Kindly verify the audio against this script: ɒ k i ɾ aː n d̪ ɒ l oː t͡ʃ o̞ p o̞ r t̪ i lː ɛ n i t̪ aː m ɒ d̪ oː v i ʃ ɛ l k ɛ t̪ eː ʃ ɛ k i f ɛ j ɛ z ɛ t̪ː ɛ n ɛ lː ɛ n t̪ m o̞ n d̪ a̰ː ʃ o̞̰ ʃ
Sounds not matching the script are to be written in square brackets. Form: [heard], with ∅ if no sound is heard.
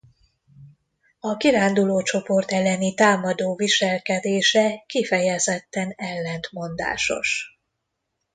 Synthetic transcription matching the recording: ɒ k i ɾ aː n d̪ [u] l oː t͡ʃ o̞ p o̞ r t̪ [ɛ] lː ɛ n i t̪ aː m ɒ d̪ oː v i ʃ ɛ l k ɛ [d̪] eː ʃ ɛ k i f ɛ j ɛ z ɛ t̪ː ɛ n ɛ lː ɛ n t̪ m o̞ n d̪ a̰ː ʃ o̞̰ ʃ